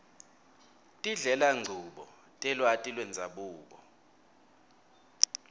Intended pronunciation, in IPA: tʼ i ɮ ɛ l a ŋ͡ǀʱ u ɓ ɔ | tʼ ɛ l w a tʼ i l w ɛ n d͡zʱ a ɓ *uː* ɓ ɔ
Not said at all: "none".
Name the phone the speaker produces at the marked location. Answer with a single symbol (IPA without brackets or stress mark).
uː